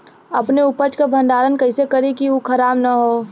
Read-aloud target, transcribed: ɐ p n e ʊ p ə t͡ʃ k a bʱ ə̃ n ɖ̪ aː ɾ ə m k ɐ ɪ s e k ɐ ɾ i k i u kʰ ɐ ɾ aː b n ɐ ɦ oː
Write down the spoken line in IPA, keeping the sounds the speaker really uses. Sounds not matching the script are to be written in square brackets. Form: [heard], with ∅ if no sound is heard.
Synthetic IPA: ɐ p n e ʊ p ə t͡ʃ k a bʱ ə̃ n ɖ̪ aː ɾ ə [n] k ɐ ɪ s e k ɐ ɾ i k i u kʰ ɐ ɾ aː b n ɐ ɦ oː